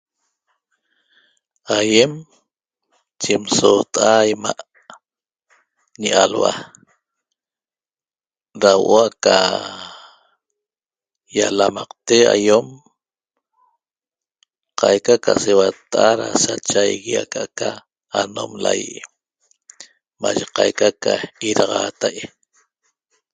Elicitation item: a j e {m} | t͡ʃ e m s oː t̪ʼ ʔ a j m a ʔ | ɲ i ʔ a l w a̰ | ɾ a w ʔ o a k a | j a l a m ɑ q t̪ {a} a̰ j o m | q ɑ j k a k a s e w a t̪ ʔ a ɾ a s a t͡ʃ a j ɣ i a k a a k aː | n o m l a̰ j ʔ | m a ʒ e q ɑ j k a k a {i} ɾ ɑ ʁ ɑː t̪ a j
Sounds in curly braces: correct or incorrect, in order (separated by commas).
correct, incorrect, correct